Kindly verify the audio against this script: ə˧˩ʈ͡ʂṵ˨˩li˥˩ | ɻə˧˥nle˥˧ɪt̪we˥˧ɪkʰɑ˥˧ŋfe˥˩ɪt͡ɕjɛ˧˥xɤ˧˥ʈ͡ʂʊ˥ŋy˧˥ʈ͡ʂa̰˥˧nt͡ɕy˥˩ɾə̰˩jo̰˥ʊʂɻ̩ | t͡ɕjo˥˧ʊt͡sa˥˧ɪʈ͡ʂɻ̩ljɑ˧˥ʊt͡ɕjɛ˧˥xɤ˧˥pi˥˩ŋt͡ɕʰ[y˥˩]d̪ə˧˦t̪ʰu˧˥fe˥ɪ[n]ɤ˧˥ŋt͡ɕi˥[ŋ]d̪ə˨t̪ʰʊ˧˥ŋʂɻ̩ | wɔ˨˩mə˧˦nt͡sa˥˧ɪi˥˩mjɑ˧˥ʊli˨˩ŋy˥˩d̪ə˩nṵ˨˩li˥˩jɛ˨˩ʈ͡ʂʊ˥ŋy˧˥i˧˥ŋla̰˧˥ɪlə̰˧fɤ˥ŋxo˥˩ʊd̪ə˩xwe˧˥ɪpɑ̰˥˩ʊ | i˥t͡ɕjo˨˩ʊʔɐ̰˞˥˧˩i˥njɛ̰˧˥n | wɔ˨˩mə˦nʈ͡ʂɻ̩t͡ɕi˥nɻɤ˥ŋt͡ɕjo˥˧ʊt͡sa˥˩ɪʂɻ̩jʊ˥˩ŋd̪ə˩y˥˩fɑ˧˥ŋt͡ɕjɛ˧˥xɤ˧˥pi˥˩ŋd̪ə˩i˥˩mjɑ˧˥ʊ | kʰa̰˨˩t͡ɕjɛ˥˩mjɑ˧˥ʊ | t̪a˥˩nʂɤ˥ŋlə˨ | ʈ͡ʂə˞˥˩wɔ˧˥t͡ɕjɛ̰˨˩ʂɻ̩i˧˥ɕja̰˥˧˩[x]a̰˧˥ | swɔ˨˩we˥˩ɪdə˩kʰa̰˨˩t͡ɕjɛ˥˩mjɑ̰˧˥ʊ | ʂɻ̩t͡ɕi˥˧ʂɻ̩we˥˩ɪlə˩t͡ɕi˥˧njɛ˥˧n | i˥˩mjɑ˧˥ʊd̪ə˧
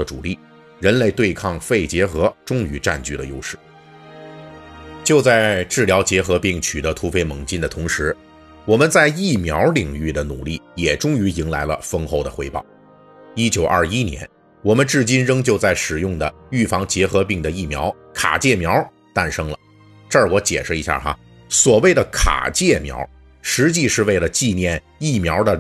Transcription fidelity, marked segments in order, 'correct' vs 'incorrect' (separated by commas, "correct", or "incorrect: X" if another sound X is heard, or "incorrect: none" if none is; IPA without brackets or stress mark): incorrect: y˨˩, incorrect: m, incorrect: n, correct